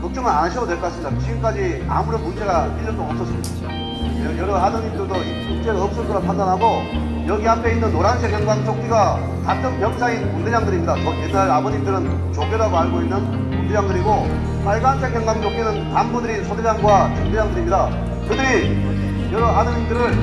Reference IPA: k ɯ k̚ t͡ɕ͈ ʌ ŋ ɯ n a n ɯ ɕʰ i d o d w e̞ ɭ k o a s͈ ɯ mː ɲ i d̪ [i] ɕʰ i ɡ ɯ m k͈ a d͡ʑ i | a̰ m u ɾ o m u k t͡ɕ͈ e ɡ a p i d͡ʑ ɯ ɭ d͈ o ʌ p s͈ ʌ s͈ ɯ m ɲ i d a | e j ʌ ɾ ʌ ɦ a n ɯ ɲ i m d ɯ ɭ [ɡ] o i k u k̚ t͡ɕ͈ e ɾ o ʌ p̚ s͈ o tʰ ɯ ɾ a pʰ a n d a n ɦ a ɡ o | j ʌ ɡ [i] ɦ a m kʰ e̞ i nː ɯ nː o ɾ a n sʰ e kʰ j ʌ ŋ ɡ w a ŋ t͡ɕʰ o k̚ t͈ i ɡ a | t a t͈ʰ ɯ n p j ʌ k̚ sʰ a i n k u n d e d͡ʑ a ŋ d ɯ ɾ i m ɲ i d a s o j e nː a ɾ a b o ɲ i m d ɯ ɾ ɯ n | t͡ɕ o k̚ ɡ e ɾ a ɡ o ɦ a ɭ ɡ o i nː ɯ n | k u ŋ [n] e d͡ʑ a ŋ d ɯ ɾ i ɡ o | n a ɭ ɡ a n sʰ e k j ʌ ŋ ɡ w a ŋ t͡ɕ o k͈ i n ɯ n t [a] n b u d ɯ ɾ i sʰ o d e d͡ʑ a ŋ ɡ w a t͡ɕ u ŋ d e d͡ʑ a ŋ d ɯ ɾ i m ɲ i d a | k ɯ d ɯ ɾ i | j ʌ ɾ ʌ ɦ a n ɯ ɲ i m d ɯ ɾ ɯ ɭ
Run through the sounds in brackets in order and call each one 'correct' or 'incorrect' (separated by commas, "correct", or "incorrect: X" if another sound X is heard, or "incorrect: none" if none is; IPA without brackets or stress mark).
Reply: incorrect: a, incorrect: d, correct, incorrect: d, correct